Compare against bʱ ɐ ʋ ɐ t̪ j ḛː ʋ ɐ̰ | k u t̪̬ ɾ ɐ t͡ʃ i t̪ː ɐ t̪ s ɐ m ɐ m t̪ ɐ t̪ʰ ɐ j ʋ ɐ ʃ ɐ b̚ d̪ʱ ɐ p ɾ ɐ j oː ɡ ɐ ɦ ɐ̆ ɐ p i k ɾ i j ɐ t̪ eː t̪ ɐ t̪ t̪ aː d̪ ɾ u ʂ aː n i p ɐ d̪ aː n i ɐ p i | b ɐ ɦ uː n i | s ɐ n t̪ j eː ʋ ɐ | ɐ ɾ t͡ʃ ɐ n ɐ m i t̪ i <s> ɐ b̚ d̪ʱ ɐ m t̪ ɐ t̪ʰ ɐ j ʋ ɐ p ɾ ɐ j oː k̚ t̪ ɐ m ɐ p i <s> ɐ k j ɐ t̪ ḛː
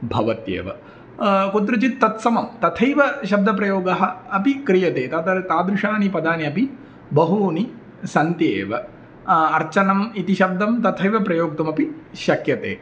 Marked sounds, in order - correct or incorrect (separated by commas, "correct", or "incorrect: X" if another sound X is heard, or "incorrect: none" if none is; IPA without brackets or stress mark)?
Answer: incorrect: ʃ, incorrect: ʃ